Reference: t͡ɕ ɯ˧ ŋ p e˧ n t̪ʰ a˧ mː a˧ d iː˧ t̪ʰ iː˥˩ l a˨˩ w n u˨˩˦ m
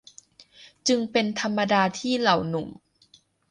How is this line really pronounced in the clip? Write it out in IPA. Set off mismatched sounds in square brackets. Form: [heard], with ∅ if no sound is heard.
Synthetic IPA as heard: t͡ɕ ɯ˧ ŋ p e˧ n t̪ʰ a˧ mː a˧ d [aː˧] t̪ʰ iː˥˩ l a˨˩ w n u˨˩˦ m